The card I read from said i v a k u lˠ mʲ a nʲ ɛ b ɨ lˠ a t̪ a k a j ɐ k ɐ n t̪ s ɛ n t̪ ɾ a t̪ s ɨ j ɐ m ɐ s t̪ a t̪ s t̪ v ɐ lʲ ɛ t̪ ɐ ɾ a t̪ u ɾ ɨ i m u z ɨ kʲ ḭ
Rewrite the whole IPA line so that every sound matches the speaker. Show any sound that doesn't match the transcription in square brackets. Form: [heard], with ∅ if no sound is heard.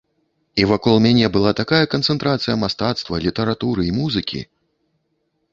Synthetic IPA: i v a k [ɔ] lˠ mʲ a nʲ ɛ b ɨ lˠ a t̪ a k a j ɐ k ɐ n t̪ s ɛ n t̪ ɾ a t̪ s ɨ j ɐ m [a] s t̪ a t̪ s t̪ v ɐ lʲ [i] t̪ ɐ ɾ a t̪ u ɾ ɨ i m u z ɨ kʲ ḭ